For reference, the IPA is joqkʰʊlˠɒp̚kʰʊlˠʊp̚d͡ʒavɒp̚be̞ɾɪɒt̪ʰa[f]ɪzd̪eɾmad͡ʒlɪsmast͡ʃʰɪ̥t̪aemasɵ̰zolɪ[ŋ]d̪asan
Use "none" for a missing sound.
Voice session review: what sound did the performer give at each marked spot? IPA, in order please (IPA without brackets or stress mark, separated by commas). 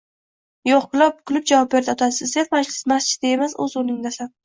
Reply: s, ŋ